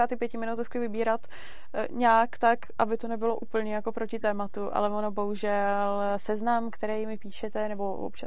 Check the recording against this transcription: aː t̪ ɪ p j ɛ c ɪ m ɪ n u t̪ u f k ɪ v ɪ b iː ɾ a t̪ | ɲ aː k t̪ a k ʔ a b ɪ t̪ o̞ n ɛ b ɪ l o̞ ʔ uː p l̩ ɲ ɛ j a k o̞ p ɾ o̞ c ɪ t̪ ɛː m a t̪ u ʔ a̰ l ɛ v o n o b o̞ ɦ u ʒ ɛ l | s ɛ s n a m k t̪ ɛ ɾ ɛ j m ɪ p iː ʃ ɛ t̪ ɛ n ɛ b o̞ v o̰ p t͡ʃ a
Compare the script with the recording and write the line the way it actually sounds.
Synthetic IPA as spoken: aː t̪ ɪ p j ɛ c ɪ m ɪ n u t̪ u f k ɪ v ɪ b iː ɾ a t̪ | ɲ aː k t̪ a k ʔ a b ɪ t̪ o̞ n ɛ b ɪ l o̞ ʔ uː p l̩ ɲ ɛ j a k o̞ p ɾ o̞ c ɪ t̪ ɛː m a t̪ u ʔ a̰ l ɛ v o n o b o̞ ɦ u ʒ ɛ l | s ɛ z n a m k t̪ ɛ ɾ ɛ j m ɪ p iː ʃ ɛ t̪ ɛ n ɛ b o̞ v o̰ p t͡ʃ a